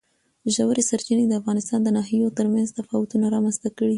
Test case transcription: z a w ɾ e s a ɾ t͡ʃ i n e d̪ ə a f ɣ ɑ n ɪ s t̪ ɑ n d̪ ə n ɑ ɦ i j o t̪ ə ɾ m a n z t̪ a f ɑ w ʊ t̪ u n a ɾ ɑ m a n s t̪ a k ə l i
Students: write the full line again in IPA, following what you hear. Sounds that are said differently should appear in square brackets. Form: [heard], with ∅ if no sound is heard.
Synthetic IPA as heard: [ʒ] a w ɾ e s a ɾ t͡ʃ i n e d̪ ə a f ɣ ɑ n ɪ s t̪ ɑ n d̪ ə n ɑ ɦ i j o t̪ ə ɾ m a n z t̪ a f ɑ w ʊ t̪ u n a ɾ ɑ m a n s t̪ a k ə [ɽ] i